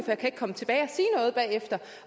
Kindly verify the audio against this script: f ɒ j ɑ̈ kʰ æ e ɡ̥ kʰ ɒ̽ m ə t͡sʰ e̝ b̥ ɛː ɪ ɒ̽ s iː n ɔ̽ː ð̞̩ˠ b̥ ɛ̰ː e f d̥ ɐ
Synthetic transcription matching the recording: f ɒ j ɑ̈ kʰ æ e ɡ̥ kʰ ɒ̽ m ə t͡sʰ e̝ b̥ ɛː ɪ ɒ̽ s iː n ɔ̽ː ð̞̩ˠ b̥ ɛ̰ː e f d̥ ɐ